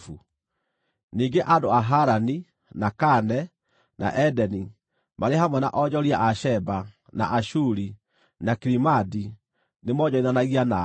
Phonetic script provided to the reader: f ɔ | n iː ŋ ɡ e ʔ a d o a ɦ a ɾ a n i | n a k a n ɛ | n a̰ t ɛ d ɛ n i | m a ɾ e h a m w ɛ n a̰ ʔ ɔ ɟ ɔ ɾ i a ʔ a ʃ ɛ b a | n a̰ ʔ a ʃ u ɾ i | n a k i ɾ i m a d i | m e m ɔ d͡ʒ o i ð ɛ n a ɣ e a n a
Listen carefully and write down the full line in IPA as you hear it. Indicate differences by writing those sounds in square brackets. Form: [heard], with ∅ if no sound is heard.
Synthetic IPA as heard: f [u] | n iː ŋ ɡ e ʔ a d o a ɦ a ɾ a n i | n a k a n ɛ | n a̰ [ʔ] ɛ d ɛ n i | m a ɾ e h a m w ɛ n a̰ ʔ ɔ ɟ ɔ ɾ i a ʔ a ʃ ɛ b a | n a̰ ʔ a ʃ u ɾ i | n a k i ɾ i m a d i | [n] e m ɔ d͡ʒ [ɔ] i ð [a] n a ɣ [i] a n a